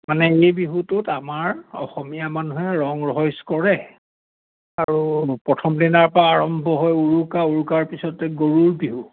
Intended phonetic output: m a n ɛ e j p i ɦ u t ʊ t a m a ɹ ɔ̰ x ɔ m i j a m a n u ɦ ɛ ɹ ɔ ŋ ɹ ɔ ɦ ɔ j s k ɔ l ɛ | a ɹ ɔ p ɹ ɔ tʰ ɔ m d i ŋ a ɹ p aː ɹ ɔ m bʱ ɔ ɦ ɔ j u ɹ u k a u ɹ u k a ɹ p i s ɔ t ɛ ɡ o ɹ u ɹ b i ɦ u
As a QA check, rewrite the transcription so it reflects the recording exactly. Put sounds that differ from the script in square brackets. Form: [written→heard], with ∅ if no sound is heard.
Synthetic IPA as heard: m a n ɛ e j [p→b] i ɦ u t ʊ t a m a ɹ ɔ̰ x ɔ m i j a m a n u ɦ ɛ ɹ ɔ ŋ ɹ ɔ ɦ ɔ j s k ɔ [l→ɹ] ɛ | a ɹ [ɔ→u] p ɹ ɔ tʰ ɔ m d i [ŋ→n] a ɹ p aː ɹ ɔ m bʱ ɔ ɦ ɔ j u ɹ u k a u ɹ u k a ɹ p i s ɔ t ɛ ɡ o ɹ u ɹ b i ɦ u

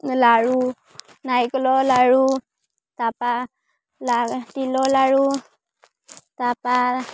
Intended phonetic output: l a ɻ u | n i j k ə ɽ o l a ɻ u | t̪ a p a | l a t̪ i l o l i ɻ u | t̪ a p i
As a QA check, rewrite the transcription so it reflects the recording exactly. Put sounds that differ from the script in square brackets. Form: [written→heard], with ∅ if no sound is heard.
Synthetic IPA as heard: l a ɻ u | n [i→a] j k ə [ɽ→l] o l a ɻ u | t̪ a p a | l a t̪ i l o l [i→a] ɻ u | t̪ a p [i→a]

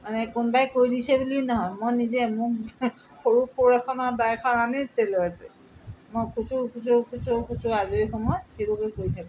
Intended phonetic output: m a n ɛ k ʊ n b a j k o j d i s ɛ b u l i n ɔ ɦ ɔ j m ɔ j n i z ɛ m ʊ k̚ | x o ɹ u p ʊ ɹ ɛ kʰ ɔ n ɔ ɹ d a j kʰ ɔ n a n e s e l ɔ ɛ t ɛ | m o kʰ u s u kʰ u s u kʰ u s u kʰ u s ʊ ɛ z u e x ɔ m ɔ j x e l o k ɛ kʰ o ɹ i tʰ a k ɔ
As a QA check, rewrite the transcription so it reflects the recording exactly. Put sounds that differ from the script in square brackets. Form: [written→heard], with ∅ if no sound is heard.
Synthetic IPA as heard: m a n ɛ k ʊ n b a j k o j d i s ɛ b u l i n ɔ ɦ ɔ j m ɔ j n i z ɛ m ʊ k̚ | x o ɹ u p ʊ ɹ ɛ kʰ ɔ n ɔ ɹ d a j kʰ ɔ n a n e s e l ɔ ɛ t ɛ | m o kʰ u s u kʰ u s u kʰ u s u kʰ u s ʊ [ɛ→a] z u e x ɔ m ɔ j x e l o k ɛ [kʰ→k] o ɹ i tʰ a k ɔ

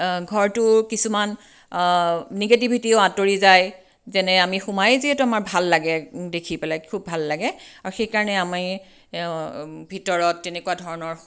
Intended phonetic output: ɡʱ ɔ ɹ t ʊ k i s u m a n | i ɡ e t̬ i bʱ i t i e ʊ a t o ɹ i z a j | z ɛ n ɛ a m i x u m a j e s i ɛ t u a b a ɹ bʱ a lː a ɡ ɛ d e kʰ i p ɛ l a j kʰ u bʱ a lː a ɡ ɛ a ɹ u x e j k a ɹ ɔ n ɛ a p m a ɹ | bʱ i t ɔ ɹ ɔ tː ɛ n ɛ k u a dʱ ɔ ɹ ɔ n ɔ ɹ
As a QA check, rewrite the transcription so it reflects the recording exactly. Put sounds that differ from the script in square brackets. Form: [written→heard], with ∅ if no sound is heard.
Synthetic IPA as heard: ɡʱ ɔ ɹ t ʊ k i s u m a n | i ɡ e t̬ i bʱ i t i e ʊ a t o ɹ i z a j | z ɛ n ɛ a m i x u m a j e [s→z] i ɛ t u a [b→m] a ɹ bʱ a lː a ɡ ɛ d e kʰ i p ɛ l a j kʰ u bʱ a lː a ɡ ɛ a ɹ u x e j k a ɹ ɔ n ɛ a [p→∅] m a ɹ | bʱ i t ɔ ɹ ɔ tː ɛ n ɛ k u a dʱ ɔ ɹ ɔ n ɔ ɹ

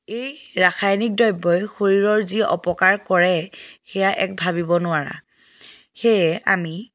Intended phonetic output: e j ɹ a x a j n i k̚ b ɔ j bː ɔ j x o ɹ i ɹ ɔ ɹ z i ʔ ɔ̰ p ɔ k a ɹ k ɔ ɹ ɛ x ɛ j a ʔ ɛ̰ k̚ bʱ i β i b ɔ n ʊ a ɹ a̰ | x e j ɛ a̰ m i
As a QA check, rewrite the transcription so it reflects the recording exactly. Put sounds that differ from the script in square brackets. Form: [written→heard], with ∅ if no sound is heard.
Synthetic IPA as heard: e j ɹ a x a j n i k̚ [b→d] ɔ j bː ɔ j x o ɹ i ɹ ɔ ɹ z i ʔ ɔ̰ p ɔ k a ɹ k ɔ ɹ ɛ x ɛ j a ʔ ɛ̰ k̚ bʱ [i→a] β i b ɔ n ʊ a ɹ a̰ | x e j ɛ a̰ m i

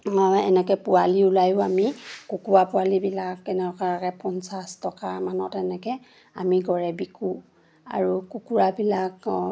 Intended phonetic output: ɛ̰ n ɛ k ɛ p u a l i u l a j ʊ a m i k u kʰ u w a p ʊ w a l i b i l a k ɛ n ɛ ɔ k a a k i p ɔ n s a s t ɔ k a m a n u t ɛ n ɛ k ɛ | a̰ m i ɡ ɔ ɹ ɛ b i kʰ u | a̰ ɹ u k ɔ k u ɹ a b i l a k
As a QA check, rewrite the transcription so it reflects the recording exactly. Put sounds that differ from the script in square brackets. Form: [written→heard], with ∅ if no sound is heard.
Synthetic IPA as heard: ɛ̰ n ɛ k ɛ p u a l i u l a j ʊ a m i k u [kʰ→k] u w a p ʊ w a l i b i l a k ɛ n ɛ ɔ k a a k [i→ɛ] p ɔ n s a s t ɔ k a m a n [u→ɔ] t ɛ n ɛ k ɛ | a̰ m i ɡ ɔ ɹ ɛ b i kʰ u | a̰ ɹ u k [ɔ→u] k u ɹ a b i l a k

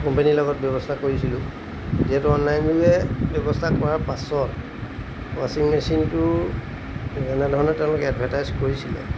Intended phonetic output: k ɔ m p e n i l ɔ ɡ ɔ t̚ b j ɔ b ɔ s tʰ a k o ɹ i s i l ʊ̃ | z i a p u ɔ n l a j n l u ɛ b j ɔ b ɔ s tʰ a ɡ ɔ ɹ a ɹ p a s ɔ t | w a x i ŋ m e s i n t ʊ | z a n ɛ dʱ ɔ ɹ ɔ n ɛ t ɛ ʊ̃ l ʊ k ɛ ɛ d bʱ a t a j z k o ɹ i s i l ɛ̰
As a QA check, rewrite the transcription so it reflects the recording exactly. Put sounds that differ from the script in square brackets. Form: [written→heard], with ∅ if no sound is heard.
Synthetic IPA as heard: k ɔ m p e n i l ɔ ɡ ɔ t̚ b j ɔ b ɔ s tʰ a k o ɹ i s i l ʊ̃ | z i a [p→t] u ɔ n l a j n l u ɛ b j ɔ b ɔ s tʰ a [ɡ→k] ɔ ɹ a ɹ p a s ɔ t | w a [x→s] i ŋ m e s i n t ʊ | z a n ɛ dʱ ɔ ɹ ɔ n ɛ t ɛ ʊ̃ l ʊ k ɛ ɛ d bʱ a t a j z k o ɹ i s i l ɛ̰

